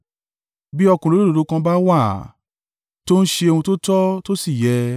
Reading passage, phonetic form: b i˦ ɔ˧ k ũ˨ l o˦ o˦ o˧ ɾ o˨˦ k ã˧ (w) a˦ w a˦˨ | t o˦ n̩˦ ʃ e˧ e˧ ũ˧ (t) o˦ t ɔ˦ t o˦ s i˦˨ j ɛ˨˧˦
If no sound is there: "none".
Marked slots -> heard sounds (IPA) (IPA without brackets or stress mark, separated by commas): b, t